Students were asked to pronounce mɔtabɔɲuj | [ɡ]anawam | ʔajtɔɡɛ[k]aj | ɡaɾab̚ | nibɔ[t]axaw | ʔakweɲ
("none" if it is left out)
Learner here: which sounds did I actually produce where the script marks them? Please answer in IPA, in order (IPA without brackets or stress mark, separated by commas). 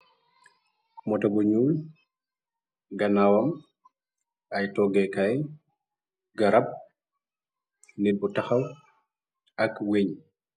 ɡ, k, t